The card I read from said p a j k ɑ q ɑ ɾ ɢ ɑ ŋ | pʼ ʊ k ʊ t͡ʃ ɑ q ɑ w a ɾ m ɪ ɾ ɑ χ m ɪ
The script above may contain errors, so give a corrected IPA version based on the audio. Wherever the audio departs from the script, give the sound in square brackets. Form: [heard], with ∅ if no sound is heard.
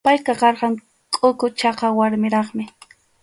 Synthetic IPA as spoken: p a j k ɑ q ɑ ɾ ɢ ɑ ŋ | [kʼ] ʊ k ʊ t͡ʃ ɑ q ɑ w a ɾ m ɪ ɾ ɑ χ m ɪ

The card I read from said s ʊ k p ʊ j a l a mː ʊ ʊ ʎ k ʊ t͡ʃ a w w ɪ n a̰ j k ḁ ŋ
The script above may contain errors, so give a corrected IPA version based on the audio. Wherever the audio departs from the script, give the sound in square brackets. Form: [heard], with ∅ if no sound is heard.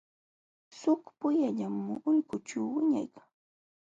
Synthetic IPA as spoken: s ʊ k p ʊ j a [ʎ] a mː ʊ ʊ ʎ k ʊ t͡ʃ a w w ɪ [ɲ] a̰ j k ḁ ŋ

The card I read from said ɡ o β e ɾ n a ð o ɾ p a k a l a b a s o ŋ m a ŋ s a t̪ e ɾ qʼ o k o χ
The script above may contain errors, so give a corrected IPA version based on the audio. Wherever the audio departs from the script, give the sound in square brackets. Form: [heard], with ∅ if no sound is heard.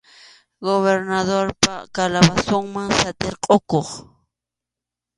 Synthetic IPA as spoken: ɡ o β e ɾ n a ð o ɾ p a k a l a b a s o ŋ m a ŋ s a t̪ e ɾ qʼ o k o χ

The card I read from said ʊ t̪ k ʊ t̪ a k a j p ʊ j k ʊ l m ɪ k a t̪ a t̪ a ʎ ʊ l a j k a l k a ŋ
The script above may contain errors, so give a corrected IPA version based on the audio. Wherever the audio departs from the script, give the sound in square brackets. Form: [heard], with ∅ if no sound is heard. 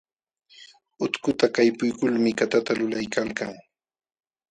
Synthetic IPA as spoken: ʊ t̪ k ʊ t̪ a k a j p ʊ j k ʊ l m ɪ k a t̪ a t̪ a [l] ʊ l a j k a l k a ŋ

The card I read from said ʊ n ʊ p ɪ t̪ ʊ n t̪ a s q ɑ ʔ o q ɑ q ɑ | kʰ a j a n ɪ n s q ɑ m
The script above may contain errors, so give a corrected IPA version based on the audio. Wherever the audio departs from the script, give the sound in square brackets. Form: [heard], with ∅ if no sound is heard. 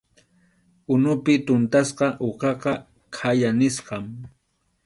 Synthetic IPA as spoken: ʊ n ʊ p ɪ t̪ ʊ n t̪ a s q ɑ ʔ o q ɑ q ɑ | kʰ a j a n ɪ [∅] s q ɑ m

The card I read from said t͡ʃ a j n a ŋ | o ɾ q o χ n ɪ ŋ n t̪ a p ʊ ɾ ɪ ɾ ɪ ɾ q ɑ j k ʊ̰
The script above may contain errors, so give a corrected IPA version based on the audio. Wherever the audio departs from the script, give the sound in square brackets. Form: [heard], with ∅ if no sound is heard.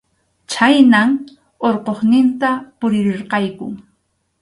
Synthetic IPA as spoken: t͡ʃ a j n a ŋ | o ɾ q o χ n ɪ [∅] n t̪ a p ʊ ɾ ɪ ɾ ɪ ɾ q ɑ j k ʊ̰

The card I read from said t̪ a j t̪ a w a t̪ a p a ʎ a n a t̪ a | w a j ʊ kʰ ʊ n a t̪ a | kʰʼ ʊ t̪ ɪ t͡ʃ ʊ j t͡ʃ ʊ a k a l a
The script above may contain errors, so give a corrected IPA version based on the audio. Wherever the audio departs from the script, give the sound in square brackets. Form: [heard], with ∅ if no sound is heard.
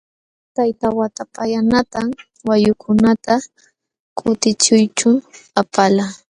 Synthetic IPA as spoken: t̪ a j t̪ a w a t̪ a p a [j] a n a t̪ a | w a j ʊ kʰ ʊ n a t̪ a | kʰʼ ʊ t̪ ɪ t͡ʃ ʊ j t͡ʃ ʊ a [p] a l a

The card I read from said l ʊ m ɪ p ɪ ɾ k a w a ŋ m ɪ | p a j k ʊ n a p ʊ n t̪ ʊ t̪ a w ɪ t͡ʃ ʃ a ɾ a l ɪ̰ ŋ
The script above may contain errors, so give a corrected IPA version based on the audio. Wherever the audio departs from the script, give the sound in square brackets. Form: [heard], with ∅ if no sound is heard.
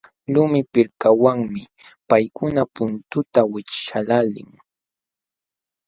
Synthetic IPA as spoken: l ʊ m ɪ p ɪ ɾ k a w a ŋ m ɪ | p a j k ʊ n a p ʊ n t̪ ʊ t̪ a w ɪ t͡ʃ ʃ a [l] a l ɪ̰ ŋ

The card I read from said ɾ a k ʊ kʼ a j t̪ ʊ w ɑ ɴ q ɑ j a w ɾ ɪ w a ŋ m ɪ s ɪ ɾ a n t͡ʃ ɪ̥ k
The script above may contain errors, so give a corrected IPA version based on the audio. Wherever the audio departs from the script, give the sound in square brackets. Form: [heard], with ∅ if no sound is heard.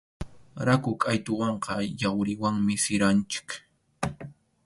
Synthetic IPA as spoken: ɾ a k ʊ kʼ a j t̪ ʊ w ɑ ɴ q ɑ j a w ɾ ɪ w a ŋ m ɪ s ɪ ɾ a n t͡ʃ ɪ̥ k

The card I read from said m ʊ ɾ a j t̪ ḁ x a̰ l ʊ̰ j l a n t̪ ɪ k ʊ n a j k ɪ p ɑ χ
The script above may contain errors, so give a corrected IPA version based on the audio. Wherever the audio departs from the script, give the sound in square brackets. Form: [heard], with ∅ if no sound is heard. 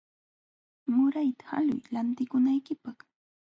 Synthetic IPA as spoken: m ʊ ɾ a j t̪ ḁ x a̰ l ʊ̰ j l a n t̪ ɪ k ʊ n a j k ɪ p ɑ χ

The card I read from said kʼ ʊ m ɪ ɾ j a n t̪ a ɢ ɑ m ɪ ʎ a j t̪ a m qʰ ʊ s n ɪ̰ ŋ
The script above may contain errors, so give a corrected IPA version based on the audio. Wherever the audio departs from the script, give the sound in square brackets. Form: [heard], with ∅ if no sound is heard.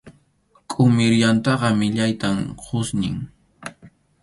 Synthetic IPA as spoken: kʼ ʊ m ɪ ɾ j a n t̪ [ɑ] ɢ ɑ m ɪ ʎ a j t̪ a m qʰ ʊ s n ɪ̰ ŋ

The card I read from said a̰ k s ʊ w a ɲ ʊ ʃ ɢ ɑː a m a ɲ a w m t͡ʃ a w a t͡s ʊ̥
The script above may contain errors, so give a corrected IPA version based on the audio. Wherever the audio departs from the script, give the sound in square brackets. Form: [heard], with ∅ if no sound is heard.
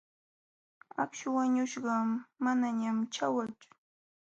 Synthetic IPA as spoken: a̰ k [ʃ] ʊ w a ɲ ʊ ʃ ɢ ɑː a [n] a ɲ a [∅] m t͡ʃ a w a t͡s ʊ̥

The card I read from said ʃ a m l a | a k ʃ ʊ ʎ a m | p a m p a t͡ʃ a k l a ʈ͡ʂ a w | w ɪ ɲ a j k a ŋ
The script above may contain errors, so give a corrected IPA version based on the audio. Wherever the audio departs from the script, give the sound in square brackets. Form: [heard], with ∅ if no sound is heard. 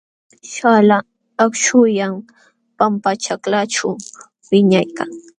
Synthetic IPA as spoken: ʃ a [∅] l a | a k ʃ ʊ [j] a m | p a m p a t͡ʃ a k l a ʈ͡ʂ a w | w ɪ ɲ a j k a ŋ

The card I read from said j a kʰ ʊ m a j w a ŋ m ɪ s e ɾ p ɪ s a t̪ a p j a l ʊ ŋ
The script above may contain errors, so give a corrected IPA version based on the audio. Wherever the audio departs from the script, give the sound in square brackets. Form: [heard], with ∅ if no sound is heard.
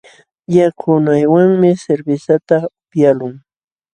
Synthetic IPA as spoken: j a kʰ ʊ [n] a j w a ŋ m ɪ s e ɾ [b] ɪ s a t̪ a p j a l ʊ ŋ

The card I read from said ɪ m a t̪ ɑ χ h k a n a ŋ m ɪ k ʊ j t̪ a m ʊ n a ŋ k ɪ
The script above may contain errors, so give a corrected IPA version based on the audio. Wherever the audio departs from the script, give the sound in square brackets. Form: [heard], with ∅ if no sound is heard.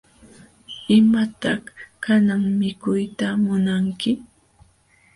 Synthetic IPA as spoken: ɪ m a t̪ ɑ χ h k a n a ŋ m ɪ k ʊ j t̪ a m ʊ n a ŋ k ɪ

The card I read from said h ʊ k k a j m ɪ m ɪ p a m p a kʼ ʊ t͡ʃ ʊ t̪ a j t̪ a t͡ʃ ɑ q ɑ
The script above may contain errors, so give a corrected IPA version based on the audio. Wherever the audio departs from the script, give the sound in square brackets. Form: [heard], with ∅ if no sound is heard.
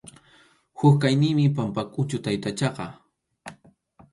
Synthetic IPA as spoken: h ʊ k k a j [n] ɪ m ɪ p a m p a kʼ ʊ t͡ʃ ʊ t̪ a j t̪ a t͡ʃ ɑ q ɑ

